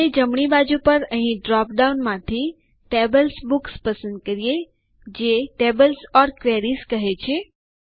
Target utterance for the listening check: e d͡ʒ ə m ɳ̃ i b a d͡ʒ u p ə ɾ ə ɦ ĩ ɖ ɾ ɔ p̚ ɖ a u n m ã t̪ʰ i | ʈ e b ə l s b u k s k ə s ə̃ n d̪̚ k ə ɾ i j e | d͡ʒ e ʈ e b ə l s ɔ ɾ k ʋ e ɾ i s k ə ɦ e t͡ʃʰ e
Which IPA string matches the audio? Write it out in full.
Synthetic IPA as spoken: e d͡ʒ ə m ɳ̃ i b a d͡ʒ u p ə ɾ ə ɦ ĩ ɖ ɾ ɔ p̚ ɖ a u n m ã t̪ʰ i | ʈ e b ə l s b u k s p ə s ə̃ n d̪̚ k ə ɾ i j e | d͡ʒ e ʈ e b ə l s ɔ ɾ k ʋ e ɾ i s k ə ɦ e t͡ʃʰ e